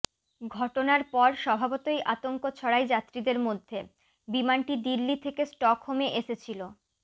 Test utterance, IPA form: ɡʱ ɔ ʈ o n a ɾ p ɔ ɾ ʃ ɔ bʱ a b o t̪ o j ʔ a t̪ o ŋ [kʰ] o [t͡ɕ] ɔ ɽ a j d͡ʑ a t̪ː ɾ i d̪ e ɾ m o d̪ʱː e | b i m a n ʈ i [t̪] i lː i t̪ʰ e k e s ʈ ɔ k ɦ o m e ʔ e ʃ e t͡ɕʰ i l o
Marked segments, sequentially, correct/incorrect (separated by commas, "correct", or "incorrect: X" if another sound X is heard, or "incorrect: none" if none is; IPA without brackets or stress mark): incorrect: k, incorrect: t͡ɕʰ, incorrect: d̪